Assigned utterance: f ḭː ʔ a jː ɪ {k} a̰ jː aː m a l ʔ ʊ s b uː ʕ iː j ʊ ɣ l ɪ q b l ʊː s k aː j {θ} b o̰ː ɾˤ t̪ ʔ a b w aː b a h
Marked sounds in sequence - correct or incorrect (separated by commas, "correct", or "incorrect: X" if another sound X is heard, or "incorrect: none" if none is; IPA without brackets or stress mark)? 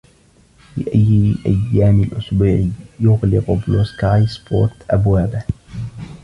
incorrect: ʔ, incorrect: s